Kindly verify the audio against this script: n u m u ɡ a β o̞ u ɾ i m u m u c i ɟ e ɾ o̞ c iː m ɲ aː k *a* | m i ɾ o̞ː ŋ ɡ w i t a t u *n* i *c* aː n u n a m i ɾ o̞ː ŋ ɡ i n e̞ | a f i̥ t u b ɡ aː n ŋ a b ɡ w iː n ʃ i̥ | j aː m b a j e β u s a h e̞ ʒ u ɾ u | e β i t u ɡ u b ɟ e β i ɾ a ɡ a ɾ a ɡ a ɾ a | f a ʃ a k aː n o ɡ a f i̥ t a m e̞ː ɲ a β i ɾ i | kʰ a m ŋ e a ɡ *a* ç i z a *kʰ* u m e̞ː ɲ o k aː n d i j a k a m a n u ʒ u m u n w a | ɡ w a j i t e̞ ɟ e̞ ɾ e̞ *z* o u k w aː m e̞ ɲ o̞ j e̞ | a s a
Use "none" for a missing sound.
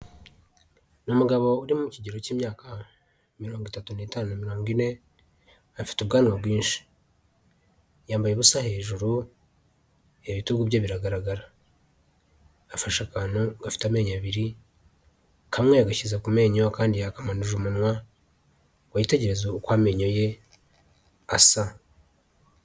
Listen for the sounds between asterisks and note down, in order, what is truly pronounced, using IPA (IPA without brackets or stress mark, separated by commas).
a, n, t, a, k, z